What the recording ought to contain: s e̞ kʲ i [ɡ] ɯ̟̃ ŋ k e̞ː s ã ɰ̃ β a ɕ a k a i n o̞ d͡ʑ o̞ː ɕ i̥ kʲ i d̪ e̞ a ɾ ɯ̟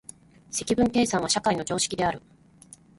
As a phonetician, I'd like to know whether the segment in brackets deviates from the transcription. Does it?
yes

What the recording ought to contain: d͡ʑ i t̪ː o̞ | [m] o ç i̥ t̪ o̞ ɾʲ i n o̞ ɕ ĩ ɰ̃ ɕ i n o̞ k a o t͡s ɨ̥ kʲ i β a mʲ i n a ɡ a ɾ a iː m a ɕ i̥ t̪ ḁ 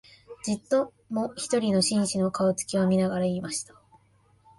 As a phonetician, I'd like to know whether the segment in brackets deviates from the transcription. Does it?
no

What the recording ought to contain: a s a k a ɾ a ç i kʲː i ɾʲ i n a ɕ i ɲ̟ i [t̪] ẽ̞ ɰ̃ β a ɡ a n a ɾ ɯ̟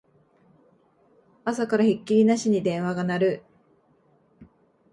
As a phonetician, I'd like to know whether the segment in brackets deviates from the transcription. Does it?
yes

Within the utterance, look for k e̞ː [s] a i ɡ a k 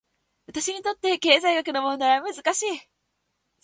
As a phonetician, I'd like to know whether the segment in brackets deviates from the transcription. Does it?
yes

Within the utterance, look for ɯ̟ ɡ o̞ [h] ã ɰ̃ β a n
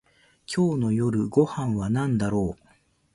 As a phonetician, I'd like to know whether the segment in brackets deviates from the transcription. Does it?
no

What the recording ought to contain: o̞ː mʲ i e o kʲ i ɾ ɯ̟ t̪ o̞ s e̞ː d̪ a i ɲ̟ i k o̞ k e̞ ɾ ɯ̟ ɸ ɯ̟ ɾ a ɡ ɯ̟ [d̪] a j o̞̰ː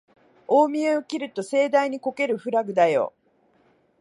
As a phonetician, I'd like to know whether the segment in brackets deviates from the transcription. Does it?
no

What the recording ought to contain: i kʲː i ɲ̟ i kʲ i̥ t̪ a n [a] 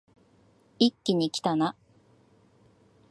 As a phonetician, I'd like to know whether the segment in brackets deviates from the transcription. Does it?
no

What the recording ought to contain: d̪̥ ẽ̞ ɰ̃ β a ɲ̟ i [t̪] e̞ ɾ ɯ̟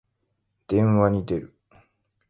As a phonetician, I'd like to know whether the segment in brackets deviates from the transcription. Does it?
yes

